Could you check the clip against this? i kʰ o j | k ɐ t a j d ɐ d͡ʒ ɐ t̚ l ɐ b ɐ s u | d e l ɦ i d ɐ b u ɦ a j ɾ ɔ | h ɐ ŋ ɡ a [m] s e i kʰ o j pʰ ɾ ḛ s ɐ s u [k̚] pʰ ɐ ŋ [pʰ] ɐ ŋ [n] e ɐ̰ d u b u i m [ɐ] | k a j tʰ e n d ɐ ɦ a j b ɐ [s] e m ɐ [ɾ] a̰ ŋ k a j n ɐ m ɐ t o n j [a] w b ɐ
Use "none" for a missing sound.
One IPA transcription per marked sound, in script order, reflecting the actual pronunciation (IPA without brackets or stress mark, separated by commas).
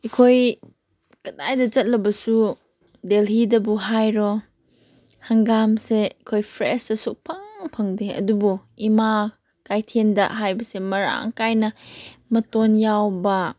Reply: m, k̚, pʰ, d, a, s, ɾ, a